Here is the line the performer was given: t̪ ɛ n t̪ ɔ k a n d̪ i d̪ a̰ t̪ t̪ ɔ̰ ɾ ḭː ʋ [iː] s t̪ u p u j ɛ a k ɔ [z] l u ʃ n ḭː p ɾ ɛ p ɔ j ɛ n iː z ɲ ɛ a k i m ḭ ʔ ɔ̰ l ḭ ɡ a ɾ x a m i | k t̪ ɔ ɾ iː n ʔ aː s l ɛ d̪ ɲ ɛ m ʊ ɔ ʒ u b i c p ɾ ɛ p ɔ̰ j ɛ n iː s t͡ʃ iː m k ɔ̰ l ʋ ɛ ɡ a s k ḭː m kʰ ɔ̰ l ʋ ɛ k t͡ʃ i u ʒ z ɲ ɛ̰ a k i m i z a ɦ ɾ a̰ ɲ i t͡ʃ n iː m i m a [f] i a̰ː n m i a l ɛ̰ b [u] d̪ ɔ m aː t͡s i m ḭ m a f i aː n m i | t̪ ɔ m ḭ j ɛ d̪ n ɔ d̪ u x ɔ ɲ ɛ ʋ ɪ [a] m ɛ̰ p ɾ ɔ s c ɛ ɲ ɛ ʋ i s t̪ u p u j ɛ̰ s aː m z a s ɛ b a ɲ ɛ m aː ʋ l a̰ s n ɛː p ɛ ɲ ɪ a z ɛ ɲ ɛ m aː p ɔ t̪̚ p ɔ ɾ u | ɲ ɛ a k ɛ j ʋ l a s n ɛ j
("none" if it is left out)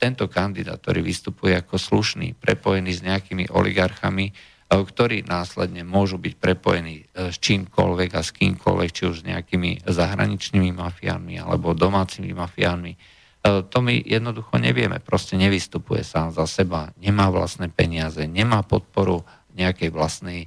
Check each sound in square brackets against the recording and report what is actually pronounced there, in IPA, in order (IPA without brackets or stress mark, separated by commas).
i, s, f, ɔ, ɛ